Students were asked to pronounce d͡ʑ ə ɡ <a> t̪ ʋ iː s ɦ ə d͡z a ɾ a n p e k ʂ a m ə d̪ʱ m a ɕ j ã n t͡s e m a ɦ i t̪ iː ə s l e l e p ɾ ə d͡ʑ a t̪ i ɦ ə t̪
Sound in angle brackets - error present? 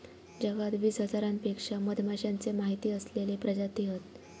no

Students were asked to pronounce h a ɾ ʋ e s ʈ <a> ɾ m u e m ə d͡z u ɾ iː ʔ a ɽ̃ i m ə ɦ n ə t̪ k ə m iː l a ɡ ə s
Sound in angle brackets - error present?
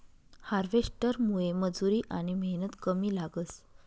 yes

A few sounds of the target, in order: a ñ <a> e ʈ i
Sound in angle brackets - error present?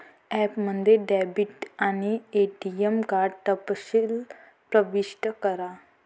yes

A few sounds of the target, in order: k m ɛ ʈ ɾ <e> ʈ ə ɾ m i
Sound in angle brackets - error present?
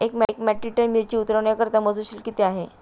yes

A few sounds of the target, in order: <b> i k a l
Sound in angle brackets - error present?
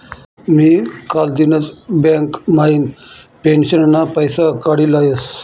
yes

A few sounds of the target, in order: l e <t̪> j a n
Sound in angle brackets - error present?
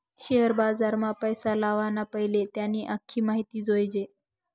no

